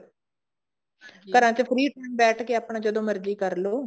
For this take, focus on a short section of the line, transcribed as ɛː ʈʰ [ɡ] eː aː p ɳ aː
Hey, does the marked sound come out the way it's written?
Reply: no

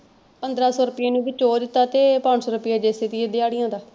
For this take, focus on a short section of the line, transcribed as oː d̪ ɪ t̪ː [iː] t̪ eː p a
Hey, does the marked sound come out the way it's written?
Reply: no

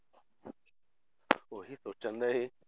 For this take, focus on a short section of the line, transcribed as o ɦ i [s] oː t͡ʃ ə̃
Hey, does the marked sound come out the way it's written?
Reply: yes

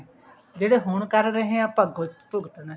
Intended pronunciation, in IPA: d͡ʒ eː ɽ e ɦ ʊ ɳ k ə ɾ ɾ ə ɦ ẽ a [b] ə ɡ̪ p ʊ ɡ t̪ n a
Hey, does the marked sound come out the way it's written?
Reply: no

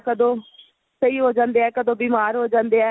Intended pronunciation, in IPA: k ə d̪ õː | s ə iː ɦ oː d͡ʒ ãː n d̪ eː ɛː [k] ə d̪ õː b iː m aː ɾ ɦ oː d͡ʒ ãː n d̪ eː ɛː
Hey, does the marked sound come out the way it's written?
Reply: yes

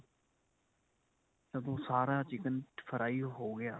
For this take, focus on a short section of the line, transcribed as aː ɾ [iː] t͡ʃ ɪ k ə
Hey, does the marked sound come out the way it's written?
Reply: no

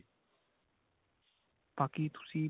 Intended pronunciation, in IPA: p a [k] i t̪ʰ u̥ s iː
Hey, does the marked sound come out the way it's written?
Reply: yes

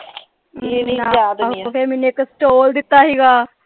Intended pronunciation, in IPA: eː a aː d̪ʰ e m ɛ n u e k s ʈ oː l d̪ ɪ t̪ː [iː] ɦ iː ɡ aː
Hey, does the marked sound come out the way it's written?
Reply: no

